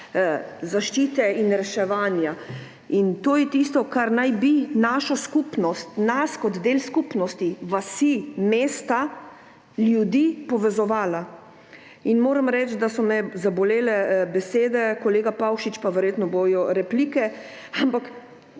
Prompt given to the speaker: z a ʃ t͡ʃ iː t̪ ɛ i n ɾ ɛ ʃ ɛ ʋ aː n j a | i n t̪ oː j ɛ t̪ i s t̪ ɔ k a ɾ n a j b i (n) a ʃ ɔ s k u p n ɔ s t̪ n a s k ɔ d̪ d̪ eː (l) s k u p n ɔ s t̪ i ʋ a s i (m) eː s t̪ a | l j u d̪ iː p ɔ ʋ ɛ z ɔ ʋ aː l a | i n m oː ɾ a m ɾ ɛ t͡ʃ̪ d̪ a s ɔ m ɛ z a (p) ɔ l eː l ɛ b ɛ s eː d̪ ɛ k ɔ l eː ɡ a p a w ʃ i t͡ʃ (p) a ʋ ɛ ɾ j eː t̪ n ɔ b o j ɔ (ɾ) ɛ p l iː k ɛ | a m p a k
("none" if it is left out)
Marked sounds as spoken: n, l, m, b, p, ɾ

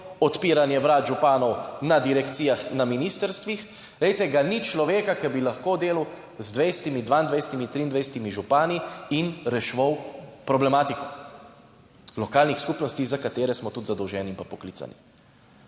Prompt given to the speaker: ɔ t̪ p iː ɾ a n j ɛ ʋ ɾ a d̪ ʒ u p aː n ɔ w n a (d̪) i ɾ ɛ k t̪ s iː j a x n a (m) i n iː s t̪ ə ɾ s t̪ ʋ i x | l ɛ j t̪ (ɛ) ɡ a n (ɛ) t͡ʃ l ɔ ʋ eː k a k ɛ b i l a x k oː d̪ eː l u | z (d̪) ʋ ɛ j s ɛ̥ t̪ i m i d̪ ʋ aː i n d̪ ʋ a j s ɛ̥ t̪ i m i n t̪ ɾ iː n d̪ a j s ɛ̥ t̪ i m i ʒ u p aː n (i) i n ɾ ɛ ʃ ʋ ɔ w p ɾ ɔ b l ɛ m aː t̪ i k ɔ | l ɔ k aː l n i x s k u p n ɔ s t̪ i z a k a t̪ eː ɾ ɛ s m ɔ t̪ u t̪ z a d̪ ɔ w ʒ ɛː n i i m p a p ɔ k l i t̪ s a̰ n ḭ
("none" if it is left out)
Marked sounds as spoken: d̪, m, ɛ, i, d̪, i

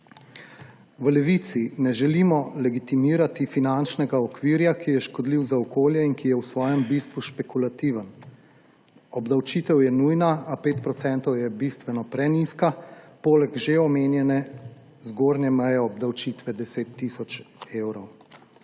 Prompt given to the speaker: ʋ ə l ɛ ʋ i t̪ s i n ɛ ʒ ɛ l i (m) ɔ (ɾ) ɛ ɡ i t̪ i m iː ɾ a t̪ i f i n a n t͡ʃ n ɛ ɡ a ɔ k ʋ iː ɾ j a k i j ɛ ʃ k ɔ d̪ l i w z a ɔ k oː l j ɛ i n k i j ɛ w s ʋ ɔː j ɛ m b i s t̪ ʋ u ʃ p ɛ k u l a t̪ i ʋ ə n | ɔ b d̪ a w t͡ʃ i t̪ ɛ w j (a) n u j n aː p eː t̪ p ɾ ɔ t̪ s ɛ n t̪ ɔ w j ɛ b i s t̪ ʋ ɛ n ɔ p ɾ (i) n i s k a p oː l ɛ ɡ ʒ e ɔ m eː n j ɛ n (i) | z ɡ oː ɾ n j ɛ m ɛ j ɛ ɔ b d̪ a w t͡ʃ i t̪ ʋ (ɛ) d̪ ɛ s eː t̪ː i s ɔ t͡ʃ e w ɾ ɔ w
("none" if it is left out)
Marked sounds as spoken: m, l, ɛ, ɛ, ɛ, ɛ

